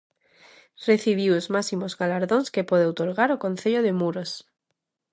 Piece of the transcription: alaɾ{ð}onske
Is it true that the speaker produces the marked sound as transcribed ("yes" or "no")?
yes